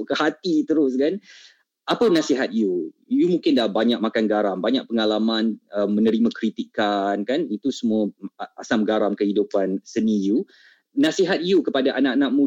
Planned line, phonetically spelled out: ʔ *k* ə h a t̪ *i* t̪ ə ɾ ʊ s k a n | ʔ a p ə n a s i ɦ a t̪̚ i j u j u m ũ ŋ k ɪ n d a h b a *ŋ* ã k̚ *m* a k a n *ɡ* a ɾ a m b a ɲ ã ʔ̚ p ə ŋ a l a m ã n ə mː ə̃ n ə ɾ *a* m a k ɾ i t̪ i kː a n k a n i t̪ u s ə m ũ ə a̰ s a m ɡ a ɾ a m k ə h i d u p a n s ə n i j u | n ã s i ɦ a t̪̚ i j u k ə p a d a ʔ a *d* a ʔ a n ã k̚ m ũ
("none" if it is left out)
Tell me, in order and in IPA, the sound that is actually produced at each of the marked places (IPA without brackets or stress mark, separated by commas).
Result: k, i, ɲ, m, ɡ, i, n